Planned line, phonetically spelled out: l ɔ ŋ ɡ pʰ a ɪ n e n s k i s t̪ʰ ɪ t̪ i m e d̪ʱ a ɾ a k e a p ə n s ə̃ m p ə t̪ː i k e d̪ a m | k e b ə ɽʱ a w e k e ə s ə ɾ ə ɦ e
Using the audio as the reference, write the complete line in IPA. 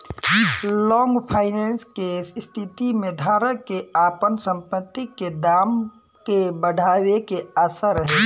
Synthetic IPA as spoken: l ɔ ŋ ɡ pʰ a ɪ n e n s k e s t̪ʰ i t̪ i m e d̪ʱ a ɾ ə k e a p ə n s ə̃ m p ə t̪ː i k e d̪ a m | k e b ə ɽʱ a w e k e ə s ə ɾ ə ɦ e